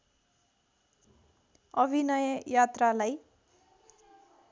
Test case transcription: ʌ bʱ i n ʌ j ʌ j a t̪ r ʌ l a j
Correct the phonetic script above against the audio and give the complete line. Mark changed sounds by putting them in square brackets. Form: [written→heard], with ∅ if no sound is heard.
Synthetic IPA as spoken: ʌ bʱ i n ʌ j ʌ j a t̪ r [ʌ→a] l a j